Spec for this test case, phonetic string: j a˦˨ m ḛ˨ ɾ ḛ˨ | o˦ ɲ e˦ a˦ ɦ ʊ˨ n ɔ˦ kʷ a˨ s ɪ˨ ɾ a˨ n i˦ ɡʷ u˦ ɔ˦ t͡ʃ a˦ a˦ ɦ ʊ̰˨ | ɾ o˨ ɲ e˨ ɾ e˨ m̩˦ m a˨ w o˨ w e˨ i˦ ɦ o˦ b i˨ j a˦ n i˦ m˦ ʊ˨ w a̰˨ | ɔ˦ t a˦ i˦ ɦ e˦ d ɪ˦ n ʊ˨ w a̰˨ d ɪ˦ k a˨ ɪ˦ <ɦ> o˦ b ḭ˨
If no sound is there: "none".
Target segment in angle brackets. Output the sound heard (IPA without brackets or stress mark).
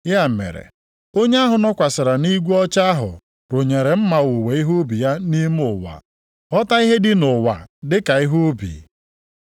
ɦ